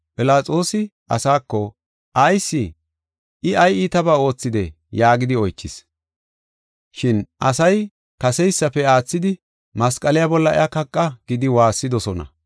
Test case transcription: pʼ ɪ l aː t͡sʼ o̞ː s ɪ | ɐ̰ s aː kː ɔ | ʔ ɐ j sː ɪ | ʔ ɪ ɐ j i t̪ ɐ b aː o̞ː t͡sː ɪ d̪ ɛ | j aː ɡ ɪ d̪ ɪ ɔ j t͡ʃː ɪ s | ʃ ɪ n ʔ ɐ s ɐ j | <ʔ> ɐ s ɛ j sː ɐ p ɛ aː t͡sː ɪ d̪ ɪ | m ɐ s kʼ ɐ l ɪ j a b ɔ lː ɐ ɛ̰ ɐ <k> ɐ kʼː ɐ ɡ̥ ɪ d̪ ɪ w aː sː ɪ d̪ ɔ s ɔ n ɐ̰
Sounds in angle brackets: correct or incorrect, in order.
incorrect, correct

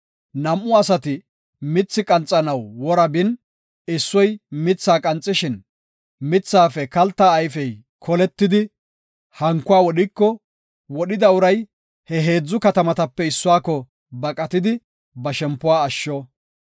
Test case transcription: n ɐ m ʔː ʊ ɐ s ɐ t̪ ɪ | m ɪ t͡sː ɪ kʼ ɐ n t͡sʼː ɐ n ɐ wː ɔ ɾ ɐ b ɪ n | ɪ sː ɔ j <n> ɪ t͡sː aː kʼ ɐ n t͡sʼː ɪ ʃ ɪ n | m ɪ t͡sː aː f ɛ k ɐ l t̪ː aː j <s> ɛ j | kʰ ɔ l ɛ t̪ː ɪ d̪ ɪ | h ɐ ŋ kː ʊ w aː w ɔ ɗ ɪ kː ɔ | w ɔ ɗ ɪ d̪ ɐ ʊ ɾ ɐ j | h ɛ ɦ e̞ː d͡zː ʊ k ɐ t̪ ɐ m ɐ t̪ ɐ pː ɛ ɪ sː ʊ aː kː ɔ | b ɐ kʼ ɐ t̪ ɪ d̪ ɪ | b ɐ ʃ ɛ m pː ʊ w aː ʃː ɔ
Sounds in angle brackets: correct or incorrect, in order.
incorrect, incorrect

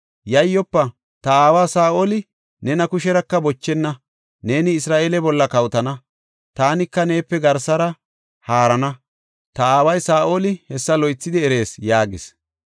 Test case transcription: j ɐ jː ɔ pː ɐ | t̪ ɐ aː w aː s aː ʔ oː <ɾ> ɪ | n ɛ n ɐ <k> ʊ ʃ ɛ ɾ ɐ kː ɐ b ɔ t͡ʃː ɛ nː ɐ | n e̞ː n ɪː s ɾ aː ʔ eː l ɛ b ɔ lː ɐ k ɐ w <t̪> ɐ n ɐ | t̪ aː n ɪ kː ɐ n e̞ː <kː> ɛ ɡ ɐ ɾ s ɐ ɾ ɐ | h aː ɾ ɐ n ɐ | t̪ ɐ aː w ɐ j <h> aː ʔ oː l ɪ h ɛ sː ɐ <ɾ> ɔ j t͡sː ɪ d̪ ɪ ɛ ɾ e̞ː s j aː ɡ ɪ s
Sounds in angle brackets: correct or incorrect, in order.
incorrect, correct, correct, incorrect, incorrect, incorrect

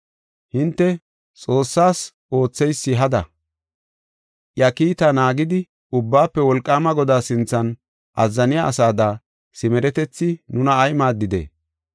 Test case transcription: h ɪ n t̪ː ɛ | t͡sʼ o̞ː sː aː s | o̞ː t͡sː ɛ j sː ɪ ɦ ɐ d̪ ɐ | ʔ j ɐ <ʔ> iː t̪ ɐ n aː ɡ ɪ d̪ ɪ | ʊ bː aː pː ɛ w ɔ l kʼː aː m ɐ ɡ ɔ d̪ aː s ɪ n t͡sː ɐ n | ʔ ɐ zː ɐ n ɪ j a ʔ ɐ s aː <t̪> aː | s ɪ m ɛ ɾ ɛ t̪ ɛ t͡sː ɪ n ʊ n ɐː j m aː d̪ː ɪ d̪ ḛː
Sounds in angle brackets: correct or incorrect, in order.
incorrect, incorrect

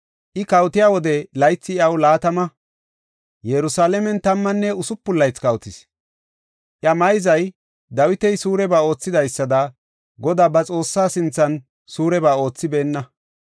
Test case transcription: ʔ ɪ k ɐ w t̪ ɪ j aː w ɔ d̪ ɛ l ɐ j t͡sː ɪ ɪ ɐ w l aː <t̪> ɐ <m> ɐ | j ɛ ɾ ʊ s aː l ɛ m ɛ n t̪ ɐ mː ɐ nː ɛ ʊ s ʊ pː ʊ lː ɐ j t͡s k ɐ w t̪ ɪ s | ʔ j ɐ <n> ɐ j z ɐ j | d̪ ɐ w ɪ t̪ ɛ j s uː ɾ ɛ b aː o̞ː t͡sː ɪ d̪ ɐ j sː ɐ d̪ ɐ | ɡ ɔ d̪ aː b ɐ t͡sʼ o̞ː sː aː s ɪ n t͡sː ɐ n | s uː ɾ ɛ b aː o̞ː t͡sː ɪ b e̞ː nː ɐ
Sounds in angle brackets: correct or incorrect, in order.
correct, correct, incorrect

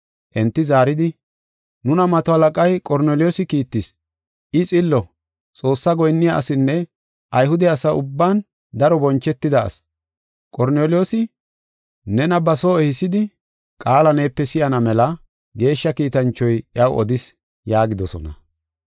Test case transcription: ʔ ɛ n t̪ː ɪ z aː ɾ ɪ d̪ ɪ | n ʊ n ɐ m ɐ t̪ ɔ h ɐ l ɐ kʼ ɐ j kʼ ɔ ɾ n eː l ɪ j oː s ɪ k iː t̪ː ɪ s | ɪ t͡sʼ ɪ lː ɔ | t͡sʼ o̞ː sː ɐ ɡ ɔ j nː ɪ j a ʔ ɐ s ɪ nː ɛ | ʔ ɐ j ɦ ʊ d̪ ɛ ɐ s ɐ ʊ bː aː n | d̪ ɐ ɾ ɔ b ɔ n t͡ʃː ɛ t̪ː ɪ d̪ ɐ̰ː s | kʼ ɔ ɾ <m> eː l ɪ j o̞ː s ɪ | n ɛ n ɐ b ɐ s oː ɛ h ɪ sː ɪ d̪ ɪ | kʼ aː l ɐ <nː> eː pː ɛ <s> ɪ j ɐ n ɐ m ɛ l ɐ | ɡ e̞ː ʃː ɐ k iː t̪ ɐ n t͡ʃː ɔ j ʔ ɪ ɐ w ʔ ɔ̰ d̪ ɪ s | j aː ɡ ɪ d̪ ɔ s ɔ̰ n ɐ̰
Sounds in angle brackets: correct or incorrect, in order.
incorrect, incorrect, correct

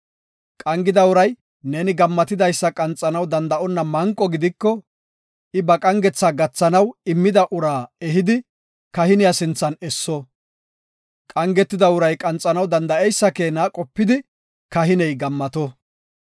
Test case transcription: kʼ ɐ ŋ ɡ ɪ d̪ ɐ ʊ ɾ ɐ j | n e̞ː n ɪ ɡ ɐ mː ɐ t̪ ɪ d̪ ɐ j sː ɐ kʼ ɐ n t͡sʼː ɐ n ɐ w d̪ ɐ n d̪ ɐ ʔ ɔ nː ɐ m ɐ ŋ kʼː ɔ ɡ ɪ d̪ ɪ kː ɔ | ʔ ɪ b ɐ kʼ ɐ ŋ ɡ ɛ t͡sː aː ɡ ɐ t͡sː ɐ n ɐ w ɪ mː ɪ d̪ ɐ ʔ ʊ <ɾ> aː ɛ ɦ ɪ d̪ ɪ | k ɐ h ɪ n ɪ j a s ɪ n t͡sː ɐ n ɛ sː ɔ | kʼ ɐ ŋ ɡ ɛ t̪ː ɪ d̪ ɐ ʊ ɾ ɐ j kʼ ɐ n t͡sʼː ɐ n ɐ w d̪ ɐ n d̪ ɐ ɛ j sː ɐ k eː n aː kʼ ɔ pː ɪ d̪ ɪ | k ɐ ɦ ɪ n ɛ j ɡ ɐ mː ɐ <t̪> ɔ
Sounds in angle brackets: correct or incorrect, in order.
correct, correct

